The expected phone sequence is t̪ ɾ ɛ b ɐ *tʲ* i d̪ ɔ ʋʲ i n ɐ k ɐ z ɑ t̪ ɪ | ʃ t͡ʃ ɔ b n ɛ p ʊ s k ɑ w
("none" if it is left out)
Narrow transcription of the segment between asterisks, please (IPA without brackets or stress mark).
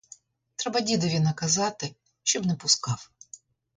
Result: dʲ